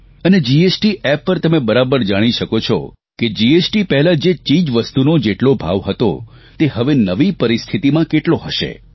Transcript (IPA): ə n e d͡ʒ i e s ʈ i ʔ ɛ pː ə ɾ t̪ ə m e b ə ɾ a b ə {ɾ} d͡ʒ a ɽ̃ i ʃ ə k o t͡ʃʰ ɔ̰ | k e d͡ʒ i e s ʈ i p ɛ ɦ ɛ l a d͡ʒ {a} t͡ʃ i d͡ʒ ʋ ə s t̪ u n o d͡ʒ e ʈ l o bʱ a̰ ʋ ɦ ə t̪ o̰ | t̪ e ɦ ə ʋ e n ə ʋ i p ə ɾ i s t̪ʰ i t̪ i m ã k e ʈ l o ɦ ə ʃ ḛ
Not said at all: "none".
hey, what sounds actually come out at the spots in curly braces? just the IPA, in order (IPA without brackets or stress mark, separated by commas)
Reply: ɾ, e